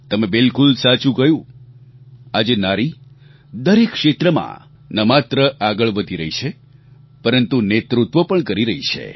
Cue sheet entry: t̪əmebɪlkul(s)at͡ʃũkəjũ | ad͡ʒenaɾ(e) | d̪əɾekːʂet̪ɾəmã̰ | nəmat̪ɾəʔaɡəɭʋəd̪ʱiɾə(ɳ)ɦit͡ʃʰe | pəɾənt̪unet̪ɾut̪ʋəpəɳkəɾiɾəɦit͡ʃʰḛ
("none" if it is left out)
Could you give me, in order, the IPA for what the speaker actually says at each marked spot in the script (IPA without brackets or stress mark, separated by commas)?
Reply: s, i, none